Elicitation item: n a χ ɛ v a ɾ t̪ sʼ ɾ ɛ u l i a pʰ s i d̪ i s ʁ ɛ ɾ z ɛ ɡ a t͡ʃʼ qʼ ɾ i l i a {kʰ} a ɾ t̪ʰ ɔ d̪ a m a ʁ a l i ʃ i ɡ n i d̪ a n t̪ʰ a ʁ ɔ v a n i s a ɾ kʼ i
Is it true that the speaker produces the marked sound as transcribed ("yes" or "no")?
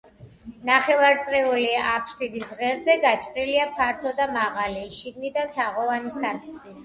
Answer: no